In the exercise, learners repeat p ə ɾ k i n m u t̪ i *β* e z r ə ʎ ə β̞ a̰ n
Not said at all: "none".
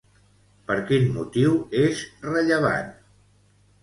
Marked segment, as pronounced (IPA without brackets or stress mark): w